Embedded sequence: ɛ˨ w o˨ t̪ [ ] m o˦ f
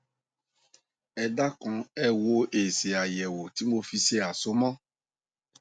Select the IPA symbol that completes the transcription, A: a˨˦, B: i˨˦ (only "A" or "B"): B